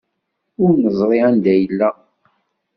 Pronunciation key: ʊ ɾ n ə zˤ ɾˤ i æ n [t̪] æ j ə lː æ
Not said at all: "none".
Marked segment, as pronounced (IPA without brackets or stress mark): d̪